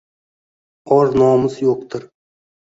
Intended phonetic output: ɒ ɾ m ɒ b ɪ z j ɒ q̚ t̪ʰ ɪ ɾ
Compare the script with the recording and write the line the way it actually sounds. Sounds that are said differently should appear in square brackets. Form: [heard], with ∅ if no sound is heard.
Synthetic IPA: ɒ ɾ [n] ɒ [m] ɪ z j [o] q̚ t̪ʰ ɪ ɾ